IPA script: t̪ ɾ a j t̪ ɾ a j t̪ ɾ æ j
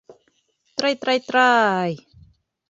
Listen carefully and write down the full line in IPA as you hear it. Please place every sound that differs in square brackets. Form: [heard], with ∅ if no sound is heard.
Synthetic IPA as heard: t̪ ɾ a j t̪ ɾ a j t̪ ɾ [a] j